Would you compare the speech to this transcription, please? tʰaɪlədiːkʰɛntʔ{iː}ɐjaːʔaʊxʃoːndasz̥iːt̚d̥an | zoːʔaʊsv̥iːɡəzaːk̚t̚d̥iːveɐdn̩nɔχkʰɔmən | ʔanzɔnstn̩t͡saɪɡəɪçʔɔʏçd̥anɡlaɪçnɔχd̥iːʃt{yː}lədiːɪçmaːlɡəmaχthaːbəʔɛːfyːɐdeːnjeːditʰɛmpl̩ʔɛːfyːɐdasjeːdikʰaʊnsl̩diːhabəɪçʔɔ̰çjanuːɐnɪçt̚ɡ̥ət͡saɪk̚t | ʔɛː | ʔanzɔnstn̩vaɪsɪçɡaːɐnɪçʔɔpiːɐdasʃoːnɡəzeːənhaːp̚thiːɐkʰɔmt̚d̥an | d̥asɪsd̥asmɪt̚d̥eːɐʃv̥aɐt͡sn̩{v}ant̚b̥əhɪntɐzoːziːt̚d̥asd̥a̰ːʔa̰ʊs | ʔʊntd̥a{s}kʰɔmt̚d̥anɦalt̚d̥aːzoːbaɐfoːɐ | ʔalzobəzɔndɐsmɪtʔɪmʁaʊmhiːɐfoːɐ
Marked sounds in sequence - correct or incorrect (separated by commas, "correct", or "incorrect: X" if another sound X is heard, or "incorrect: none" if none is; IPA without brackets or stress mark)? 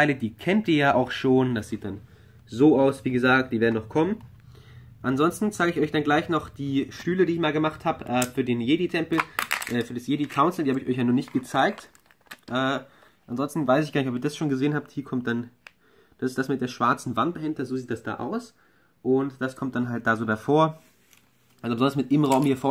correct, correct, correct, correct